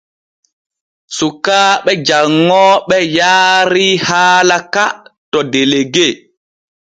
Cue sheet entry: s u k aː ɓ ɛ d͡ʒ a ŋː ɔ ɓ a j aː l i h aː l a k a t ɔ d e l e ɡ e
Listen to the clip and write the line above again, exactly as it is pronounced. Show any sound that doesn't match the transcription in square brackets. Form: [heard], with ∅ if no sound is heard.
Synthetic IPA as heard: s u k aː ɓ ɛ d͡ʒ a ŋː ɔ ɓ [ɛ] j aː [ɾ] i h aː l a k a t ɔ d e l e ɡ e